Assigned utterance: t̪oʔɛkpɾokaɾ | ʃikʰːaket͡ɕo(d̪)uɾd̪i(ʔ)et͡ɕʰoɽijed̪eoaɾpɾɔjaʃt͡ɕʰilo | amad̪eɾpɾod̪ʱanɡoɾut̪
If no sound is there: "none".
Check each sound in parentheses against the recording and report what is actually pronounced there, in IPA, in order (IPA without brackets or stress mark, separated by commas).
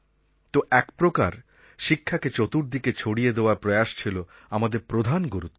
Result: t̪, k